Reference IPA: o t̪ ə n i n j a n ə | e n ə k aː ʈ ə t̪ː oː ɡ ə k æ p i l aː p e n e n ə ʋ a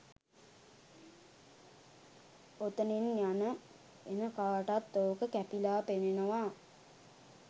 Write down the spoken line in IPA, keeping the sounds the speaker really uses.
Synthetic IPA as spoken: o t̪ ə n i n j a n ə | e n ə k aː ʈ a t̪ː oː k ə k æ p i l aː p e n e n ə ʋ a